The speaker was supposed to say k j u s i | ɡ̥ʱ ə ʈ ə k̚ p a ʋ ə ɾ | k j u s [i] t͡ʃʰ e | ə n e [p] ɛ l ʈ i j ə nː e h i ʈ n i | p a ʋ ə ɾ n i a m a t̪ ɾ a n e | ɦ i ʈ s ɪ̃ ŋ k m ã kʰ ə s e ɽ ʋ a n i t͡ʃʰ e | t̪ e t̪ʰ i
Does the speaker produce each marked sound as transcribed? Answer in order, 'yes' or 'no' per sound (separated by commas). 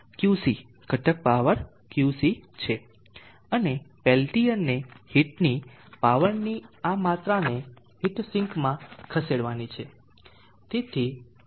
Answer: yes, yes